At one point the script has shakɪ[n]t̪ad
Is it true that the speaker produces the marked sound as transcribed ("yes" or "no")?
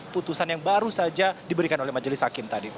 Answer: no